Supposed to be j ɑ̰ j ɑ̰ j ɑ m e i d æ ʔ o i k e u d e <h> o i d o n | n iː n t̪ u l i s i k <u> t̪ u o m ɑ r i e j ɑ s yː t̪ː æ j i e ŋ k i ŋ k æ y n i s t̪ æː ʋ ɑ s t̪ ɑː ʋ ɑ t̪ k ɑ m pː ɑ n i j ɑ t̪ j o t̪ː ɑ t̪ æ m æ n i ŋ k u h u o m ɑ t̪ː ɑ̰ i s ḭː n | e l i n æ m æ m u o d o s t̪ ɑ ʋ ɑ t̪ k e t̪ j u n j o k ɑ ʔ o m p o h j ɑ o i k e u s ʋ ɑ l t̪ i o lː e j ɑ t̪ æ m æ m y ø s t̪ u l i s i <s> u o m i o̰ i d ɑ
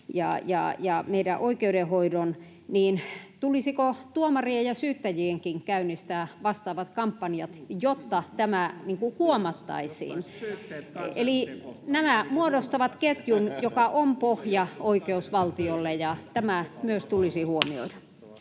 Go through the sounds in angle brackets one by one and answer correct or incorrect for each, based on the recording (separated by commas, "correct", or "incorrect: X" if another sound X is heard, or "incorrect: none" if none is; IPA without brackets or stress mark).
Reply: correct, incorrect: o, incorrect: h